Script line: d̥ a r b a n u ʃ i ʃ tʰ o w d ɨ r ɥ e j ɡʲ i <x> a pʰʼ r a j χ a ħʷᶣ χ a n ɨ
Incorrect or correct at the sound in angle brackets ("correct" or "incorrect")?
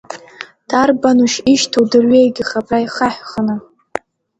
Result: incorrect